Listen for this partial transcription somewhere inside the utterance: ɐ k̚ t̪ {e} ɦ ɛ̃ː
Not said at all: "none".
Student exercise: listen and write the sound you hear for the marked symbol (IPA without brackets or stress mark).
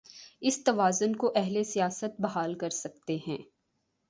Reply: e